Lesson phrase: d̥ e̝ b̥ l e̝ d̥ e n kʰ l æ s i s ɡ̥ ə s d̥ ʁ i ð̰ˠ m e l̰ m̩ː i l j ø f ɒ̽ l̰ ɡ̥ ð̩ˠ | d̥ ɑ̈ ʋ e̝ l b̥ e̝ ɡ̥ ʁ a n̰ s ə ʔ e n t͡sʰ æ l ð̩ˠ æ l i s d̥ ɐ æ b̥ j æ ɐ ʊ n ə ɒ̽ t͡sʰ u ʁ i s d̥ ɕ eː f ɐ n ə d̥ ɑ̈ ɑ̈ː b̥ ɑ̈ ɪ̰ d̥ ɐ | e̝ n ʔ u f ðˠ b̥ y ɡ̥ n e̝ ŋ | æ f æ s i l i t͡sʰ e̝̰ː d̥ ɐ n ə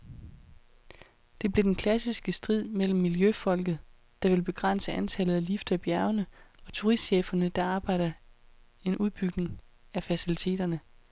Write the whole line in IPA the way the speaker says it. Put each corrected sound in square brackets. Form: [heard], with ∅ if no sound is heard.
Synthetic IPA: d̥ e̝ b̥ l e̝ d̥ e n kʰ l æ s i s ɡ̥ ə s d̥ ʁ i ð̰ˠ m e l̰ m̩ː i l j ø f ɒ̽ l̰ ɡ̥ ð̩ˠ | d̥ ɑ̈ ʋ e̝ l b̥ e̝ ɡ̥ ʁ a n̰ s ə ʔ [æ] n t͡sʰ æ l ð̩ˠ æ l i [f] d̥ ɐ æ b̥ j æ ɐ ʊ n ə ɒ̽ t͡sʰ u ʁ i s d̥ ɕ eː f ɐ n ə d̥ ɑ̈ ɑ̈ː b̥ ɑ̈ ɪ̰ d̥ ɐ | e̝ n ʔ u [∅] ðˠ b̥ y ɡ̥ n e̝ ŋ | æ f æ s i l i t͡sʰ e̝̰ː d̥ ɐ n ə